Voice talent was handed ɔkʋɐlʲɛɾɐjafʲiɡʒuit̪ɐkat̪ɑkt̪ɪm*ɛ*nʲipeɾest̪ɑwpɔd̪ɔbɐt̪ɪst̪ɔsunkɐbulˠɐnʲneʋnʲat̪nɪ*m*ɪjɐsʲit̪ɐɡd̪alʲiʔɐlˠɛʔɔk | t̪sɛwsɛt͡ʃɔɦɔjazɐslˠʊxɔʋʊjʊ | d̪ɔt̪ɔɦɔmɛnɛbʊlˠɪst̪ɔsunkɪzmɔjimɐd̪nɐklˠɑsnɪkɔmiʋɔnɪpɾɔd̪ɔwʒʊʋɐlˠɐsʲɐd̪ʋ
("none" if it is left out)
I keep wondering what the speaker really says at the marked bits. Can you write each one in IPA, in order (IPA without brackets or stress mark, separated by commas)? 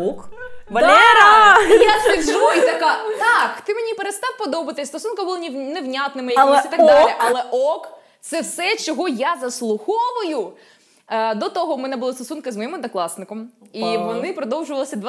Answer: e, m